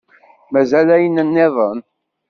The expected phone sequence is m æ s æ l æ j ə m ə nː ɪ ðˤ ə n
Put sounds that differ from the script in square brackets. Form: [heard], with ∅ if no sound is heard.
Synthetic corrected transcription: m æ [z] æ l æ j ə [n] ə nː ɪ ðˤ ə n